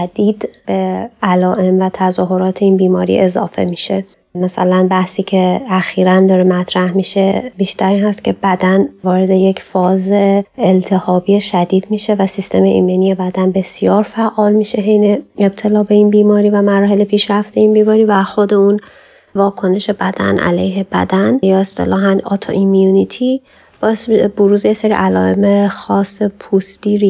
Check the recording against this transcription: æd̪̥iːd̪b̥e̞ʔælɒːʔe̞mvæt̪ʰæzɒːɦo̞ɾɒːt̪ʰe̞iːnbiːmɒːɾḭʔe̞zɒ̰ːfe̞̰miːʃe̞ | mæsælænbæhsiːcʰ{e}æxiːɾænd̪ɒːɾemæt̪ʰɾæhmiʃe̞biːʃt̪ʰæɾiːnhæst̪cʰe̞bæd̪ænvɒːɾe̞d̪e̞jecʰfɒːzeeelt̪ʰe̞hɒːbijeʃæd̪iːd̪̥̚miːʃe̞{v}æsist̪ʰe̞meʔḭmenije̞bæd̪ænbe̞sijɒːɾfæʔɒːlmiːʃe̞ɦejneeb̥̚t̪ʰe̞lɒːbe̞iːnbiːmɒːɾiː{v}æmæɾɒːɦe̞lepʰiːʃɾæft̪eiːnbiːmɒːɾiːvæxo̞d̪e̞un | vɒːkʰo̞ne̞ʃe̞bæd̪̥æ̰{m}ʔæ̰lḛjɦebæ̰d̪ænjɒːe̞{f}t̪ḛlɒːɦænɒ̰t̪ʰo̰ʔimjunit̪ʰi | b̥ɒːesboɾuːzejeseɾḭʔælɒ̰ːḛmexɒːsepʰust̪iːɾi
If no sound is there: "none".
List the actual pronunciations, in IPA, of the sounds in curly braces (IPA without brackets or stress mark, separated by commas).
e, v, v, n, s